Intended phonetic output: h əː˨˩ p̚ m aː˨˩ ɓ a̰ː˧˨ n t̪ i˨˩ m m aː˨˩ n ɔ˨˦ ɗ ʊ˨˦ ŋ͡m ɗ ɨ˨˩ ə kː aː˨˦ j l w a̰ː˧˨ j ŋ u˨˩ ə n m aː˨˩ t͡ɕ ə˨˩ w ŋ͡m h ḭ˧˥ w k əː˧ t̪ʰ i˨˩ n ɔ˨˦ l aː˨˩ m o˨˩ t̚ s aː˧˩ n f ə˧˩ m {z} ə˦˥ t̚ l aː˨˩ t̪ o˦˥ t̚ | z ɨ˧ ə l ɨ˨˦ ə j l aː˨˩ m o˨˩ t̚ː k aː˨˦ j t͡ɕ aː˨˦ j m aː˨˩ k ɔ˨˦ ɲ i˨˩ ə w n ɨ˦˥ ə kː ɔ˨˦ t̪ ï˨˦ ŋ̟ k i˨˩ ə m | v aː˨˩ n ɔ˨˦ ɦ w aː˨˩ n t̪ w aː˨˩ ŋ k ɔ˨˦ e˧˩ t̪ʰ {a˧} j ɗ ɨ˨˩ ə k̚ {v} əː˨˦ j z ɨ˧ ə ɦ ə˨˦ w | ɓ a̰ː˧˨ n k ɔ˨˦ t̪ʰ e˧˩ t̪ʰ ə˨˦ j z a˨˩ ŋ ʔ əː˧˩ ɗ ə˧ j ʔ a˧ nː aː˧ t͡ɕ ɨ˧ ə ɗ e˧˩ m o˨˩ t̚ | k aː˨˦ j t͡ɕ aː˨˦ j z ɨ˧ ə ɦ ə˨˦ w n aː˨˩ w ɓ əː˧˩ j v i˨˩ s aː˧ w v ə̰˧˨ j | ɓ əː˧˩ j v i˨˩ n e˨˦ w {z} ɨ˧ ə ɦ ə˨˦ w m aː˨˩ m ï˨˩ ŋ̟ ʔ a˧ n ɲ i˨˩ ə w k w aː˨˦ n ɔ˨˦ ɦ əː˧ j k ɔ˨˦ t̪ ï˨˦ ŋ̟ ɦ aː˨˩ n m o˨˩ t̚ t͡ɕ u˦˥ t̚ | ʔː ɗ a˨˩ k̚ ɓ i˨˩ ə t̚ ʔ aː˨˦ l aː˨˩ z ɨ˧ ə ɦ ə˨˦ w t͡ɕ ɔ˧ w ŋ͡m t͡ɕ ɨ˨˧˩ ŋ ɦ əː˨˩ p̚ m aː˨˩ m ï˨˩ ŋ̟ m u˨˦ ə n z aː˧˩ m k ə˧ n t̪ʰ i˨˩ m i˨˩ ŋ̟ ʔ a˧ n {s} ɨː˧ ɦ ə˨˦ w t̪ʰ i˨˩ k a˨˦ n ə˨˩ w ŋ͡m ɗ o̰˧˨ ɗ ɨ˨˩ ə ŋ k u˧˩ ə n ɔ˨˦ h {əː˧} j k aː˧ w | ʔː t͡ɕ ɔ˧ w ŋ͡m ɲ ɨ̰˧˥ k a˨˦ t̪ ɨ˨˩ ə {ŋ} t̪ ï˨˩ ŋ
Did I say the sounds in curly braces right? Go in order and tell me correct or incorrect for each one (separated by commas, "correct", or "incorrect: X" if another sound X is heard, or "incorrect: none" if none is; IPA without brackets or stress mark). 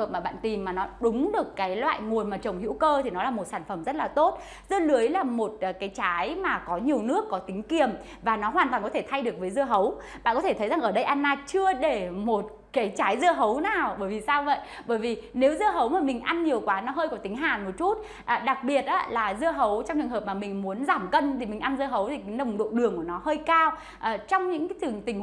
correct, correct, correct, correct, incorrect: z, correct, correct